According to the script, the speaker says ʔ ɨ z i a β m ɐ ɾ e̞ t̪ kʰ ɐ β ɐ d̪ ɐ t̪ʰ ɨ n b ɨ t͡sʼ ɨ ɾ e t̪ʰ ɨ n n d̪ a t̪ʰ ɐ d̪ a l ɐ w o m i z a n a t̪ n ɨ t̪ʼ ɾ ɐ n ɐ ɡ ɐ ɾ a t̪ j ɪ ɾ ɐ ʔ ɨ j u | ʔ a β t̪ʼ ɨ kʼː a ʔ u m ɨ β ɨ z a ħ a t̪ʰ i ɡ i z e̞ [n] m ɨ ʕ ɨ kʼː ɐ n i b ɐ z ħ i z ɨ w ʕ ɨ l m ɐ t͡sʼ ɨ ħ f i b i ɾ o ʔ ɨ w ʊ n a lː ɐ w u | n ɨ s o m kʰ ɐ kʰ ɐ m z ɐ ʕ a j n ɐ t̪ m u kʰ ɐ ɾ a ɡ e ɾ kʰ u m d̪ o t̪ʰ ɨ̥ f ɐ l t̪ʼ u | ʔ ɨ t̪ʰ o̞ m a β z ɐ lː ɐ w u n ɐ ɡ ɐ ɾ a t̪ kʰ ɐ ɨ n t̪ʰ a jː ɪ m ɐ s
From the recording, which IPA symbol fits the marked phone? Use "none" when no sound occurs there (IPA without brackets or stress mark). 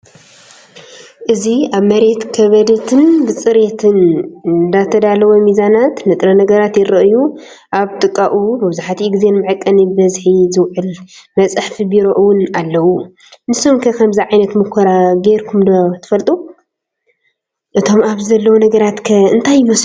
n